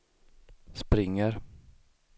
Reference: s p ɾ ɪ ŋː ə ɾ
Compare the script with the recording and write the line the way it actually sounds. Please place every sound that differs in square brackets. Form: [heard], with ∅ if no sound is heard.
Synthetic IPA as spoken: s p ɾ ɪ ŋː ə ɾ